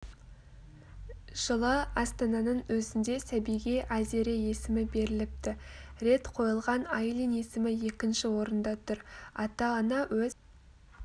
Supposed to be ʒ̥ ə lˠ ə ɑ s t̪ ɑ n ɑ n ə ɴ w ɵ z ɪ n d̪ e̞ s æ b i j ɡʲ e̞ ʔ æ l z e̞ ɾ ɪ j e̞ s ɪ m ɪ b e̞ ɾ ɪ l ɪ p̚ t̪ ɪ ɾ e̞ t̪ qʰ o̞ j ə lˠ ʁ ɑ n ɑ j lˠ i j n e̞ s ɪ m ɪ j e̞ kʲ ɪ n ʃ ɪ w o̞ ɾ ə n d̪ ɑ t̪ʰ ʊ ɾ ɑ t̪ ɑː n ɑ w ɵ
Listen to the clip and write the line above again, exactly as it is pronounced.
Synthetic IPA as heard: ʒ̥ ə lˠ ə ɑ s t̪ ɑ n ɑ n ə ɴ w ɵ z ɪ n d̪ e̞ s æ b i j ɡʲ e̞ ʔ æ z e̞ ɾ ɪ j e̞ s ɪ m ɪ b e̞ ɾ ɪ l ɪ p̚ t̪ ɪ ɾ e̞ t̪ qʰ o̞ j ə lˠ ʁ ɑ n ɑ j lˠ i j n e̞ s ɪ m ɪ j e̞ kʲ ɪ n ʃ ɪ w o̞ ɾ ə n d̪ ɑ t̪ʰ ʊ ɾ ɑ t̪ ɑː n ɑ w ɵ